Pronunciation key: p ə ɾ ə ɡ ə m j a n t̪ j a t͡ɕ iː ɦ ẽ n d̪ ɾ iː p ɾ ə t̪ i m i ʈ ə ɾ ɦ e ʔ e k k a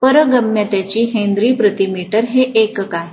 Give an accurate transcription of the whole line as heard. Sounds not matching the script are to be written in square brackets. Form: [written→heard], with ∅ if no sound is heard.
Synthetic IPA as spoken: p ə ɾ ə ɡ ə m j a [n→∅] t̪ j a t͡ɕ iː ɦ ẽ n d̪ ɾ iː p ɾ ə t̪ i m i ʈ ə ɾ ɦ e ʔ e k k a

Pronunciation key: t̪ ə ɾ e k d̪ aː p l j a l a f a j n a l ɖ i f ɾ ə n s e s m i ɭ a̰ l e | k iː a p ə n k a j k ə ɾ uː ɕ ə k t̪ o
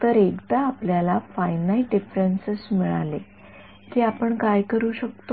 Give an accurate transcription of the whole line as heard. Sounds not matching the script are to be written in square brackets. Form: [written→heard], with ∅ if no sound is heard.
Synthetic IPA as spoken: t̪ ə ɾ e k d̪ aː p l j a l a f a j n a l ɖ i f ɾ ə n s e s m i ɭ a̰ l e | k iː a p ə [n→ɳ] k a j k ə ɾ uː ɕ ə k t̪ o

